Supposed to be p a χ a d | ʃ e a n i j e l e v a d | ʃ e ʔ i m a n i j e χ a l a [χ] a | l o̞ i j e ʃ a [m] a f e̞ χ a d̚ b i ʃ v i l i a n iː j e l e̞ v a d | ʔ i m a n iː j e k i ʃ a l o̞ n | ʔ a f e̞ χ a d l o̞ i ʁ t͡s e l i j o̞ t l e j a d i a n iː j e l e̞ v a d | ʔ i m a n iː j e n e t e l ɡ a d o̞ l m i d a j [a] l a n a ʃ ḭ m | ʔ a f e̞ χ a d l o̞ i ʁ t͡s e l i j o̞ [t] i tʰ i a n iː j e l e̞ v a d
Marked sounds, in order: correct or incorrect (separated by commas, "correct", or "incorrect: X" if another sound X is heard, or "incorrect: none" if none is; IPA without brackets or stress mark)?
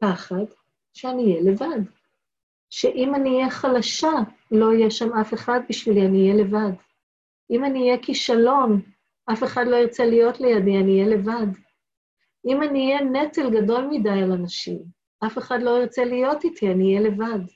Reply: incorrect: ʃ, correct, correct, correct